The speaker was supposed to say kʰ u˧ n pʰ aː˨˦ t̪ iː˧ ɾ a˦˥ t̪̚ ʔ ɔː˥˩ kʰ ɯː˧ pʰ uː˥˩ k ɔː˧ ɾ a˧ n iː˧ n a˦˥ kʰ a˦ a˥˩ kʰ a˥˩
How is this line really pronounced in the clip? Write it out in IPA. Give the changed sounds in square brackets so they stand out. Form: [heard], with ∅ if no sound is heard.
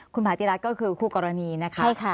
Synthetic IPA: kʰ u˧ n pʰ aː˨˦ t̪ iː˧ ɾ a˦˥ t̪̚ [k] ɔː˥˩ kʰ ɯː˧ [kʰ] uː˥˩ k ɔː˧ ɾ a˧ n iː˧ n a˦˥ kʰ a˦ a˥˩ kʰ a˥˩